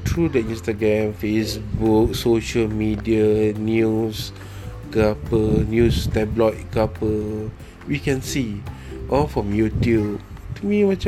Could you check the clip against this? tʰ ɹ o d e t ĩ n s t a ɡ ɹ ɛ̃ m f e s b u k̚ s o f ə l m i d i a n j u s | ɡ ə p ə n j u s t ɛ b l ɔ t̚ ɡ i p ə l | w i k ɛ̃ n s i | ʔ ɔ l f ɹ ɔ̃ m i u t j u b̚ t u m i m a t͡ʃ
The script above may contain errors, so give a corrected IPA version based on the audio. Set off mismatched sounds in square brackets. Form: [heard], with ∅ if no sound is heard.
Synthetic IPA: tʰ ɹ [u] d [ɛ] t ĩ n s t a ɡ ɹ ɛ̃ m f e s b u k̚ s o [ʃ] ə l m i d i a n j u s | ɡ [a] p ə n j u s t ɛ b l ɔ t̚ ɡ [a] p ə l | w i k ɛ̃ n s i | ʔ ɔ l f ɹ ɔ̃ m [j] u t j u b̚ t u m i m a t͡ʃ